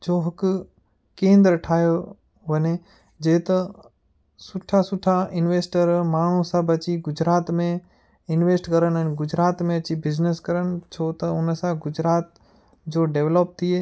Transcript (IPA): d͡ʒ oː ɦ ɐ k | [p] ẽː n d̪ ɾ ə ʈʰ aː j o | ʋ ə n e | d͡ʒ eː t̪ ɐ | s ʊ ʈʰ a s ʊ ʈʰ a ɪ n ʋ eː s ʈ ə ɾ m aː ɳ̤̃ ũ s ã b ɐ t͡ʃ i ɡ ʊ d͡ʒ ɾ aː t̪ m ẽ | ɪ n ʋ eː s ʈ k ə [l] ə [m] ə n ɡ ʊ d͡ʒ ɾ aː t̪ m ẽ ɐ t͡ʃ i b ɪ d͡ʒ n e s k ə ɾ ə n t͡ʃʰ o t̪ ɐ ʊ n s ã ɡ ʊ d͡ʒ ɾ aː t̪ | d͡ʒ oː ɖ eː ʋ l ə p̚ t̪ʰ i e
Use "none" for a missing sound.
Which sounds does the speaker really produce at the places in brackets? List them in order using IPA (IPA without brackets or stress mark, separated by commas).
k, ɾ, n